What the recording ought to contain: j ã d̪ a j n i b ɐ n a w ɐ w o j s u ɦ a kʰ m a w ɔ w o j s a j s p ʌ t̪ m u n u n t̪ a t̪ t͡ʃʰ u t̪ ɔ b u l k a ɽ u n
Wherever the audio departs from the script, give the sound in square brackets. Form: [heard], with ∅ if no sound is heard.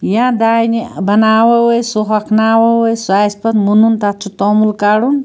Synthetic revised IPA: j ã d̪ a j n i b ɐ n a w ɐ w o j s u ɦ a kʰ [n] a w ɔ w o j s a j s p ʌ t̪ m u n u n t̪ a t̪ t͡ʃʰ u t̪ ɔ [m] u l k a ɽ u n